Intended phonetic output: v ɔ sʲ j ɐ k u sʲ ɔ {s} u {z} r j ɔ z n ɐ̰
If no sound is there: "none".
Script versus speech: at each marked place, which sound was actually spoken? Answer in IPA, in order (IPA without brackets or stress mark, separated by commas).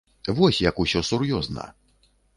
s, none